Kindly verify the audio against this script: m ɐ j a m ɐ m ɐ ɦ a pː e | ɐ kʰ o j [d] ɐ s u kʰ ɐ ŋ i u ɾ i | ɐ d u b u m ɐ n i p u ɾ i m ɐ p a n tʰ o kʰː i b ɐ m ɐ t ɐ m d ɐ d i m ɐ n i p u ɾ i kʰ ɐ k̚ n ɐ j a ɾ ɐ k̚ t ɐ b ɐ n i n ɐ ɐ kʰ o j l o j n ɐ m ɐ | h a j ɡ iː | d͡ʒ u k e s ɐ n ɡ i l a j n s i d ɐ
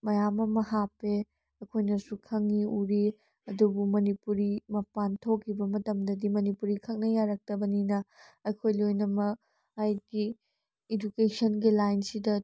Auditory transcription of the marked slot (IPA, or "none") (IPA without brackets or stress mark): n